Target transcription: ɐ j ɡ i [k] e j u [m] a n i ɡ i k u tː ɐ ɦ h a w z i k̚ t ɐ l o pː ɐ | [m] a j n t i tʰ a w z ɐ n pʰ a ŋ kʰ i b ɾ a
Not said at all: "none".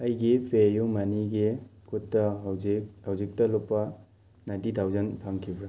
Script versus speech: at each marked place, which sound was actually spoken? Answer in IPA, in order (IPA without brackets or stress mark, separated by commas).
p, m, n